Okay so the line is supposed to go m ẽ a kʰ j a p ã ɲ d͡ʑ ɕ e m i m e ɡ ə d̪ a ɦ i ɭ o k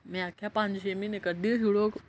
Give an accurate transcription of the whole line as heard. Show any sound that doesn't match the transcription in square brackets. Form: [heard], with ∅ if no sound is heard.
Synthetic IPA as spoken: m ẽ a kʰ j a p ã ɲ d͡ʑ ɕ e m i [n] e [k] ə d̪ [i] ɦ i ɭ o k